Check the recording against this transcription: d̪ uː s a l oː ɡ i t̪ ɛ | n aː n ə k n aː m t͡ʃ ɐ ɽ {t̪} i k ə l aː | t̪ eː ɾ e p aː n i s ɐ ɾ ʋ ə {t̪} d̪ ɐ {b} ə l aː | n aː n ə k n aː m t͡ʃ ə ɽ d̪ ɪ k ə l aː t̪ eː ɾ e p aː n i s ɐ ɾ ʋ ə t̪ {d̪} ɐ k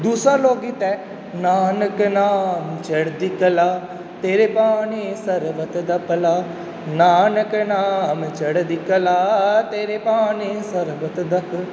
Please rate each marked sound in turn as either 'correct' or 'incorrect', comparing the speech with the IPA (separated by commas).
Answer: incorrect, correct, incorrect, correct